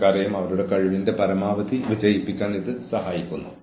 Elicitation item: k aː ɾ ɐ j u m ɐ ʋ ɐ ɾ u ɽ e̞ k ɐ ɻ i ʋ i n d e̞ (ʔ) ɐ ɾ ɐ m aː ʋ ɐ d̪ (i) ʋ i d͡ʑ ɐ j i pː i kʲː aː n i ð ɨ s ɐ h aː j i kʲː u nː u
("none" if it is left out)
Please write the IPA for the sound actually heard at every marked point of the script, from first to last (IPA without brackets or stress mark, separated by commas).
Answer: p, i